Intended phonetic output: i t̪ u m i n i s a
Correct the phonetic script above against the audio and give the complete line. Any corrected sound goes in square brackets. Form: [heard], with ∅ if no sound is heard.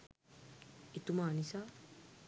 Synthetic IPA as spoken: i t̪ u m [a] n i s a